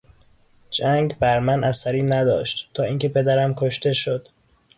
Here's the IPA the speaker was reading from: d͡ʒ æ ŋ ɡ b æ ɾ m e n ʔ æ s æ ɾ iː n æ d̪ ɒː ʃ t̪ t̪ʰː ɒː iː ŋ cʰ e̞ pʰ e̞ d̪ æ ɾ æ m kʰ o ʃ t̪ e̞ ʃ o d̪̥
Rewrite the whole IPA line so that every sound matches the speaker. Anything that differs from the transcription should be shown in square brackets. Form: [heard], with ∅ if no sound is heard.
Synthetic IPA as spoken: d͡ʒ æ ŋ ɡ b æ ɾ m [æ] n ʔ æ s æ ɾ iː n æ d̪ ɒː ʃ t̪ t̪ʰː ɒː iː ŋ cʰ e̞ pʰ e̞ d̪ æ ɾ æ m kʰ o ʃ t̪ e̞ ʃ o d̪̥